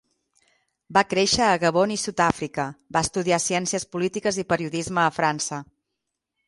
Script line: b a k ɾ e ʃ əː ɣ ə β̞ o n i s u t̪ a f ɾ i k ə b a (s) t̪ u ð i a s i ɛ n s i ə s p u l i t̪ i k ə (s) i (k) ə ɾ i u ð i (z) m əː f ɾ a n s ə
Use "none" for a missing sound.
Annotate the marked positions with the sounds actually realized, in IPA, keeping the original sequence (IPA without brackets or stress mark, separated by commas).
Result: s, z, p, z